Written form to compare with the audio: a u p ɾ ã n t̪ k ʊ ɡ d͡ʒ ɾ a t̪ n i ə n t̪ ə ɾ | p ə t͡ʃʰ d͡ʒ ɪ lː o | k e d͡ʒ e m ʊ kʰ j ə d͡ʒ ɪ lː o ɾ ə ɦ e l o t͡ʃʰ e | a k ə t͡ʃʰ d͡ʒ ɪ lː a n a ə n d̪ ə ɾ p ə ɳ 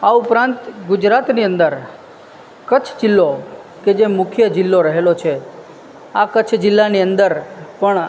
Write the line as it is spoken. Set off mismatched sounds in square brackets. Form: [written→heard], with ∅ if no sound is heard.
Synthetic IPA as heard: a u p ɾ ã n t̪ [k→ɡ] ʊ [ɡ→∅] d͡ʒ ɾ a t̪ n i ə n [t̪→d̪] ə ɾ | [p→k] ə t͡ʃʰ d͡ʒ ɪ lː o | k e d͡ʒ e m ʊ kʰ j ə d͡ʒ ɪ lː o ɾ ə ɦ e l o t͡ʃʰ e | a k ə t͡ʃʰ d͡ʒ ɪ lː a n [a→i] ə n d̪ ə ɾ p ə ɳ